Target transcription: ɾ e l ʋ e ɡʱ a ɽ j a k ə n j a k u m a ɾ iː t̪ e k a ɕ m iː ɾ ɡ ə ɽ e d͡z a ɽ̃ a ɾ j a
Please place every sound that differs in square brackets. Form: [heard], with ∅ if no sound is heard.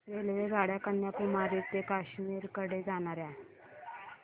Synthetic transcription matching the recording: ɾ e l ʋ e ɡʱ a ɽ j a k ə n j a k u m a ɾ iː t̪ e k a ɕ m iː ɾ [k] ə ɽ e d͡z a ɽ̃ a ɾ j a